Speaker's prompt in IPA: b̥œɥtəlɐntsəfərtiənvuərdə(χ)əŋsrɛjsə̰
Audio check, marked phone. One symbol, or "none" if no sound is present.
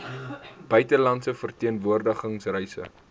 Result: χ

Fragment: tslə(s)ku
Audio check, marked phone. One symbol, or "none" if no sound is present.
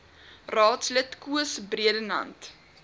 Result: t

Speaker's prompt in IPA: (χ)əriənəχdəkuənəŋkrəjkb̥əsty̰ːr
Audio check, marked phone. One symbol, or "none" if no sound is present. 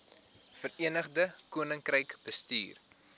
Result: f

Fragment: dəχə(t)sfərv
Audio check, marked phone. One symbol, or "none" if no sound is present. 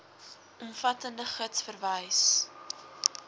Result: t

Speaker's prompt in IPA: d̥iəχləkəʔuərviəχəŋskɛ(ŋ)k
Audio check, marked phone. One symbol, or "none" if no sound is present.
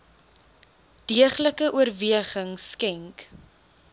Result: ŋ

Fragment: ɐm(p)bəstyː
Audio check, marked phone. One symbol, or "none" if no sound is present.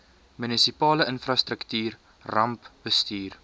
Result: p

